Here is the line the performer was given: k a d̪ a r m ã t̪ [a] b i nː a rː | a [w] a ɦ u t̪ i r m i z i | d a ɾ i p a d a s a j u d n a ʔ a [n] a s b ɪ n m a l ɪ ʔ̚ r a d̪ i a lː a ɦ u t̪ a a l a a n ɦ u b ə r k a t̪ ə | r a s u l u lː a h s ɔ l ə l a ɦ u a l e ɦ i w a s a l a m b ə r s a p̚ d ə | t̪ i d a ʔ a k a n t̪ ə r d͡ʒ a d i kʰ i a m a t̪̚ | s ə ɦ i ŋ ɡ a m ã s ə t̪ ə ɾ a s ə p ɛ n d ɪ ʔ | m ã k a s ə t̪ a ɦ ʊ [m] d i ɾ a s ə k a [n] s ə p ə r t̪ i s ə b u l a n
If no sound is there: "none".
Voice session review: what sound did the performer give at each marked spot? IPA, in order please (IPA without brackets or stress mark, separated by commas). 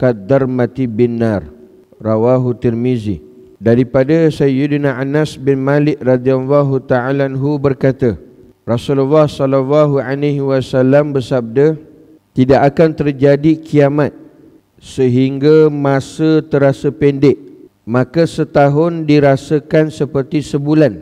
i, w, n, n, n